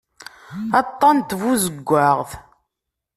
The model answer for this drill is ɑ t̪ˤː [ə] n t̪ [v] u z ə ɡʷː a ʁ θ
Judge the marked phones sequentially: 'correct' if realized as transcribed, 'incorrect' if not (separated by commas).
incorrect, correct